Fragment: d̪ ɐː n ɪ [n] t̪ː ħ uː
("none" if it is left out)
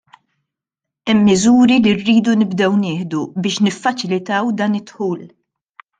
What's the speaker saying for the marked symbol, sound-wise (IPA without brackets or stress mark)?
none